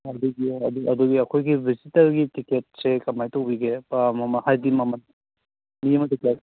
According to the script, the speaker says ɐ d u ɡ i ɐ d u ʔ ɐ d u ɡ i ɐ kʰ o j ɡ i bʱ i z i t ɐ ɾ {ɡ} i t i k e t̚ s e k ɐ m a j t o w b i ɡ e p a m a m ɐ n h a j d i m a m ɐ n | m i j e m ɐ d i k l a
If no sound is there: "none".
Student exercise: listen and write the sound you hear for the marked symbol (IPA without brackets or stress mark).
ɡ